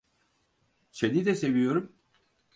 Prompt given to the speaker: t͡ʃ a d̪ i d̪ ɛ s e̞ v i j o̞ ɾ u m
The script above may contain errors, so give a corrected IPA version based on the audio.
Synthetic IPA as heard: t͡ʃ e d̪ i d̪ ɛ s e̞ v i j o̞ ɾ u m